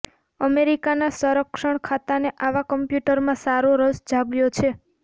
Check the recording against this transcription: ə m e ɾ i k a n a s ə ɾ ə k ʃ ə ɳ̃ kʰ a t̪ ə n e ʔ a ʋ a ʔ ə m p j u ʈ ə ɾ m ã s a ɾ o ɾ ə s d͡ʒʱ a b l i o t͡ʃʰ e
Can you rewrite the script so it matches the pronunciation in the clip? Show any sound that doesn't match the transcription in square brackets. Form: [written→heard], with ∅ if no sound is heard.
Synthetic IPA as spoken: ə m e ɾ i k a n a s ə ɾ ə k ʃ ə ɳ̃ kʰ a t̪ [ə→a] n e ʔ a ʋ a [ʔ→k] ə m p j u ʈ ə ɾ m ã s a ɾ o ɾ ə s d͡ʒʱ a b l [i→j] o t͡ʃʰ e